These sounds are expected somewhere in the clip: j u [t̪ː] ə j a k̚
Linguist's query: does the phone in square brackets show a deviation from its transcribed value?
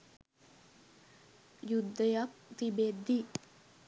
yes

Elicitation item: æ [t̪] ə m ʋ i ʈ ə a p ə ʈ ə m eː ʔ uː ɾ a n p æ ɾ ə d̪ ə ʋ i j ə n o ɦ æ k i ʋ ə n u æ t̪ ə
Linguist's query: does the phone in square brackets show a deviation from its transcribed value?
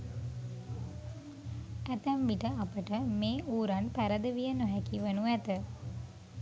no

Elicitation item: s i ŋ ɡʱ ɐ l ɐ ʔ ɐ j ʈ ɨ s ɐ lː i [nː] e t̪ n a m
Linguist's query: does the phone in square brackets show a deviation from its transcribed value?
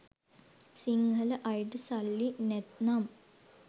yes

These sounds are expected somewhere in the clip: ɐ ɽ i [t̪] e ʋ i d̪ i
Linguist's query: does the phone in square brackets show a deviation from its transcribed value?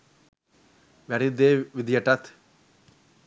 yes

